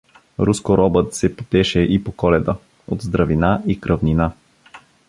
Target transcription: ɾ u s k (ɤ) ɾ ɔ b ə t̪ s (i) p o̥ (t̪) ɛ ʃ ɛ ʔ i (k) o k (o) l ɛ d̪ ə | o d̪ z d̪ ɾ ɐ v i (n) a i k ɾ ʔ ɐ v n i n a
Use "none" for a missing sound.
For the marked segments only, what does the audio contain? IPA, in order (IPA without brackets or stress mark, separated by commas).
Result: o, ɛ, t̪, p, ɔ, n